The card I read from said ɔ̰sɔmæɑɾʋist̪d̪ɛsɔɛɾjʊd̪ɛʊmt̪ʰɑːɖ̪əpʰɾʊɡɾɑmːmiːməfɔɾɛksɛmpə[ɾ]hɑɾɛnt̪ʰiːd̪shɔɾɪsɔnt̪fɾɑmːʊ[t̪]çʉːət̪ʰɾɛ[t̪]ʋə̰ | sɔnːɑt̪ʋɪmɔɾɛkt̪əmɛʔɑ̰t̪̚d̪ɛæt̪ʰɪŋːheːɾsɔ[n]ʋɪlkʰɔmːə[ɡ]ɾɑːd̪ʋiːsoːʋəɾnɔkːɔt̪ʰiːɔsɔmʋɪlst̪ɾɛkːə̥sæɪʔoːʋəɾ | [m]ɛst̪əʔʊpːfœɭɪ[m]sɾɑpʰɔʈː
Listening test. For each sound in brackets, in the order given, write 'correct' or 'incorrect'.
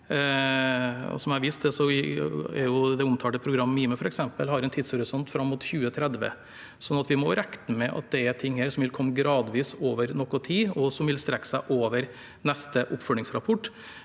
incorrect: l, correct, incorrect: d̪, incorrect: m, correct, incorrect: n, incorrect: ŋ

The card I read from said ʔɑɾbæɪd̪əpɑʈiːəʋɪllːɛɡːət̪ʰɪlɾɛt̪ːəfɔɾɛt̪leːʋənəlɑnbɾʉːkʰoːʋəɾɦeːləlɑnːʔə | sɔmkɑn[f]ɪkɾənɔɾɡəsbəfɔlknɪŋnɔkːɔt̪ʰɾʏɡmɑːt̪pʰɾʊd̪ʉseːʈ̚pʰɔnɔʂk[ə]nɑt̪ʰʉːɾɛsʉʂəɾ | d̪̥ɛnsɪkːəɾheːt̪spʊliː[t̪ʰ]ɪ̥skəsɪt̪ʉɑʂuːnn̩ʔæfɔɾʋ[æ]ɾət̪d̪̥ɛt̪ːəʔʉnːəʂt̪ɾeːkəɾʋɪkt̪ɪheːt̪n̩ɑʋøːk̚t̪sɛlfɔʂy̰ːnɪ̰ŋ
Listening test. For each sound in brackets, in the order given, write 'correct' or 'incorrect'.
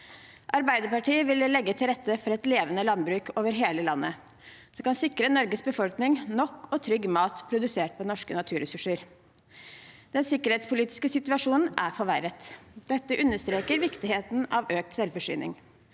incorrect: s, correct, incorrect: t̪, correct

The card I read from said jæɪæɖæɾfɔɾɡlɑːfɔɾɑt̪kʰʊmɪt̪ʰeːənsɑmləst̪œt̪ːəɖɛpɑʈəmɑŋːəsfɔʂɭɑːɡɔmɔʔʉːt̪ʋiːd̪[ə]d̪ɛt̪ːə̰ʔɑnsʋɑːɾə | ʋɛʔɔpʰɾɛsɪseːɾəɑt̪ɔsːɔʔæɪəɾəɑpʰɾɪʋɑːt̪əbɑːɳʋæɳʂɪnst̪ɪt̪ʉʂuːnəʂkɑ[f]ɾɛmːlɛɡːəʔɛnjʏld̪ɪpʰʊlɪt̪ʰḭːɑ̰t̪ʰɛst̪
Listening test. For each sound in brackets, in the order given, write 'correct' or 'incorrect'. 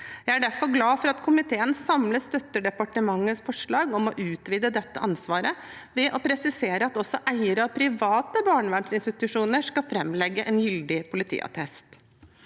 correct, correct

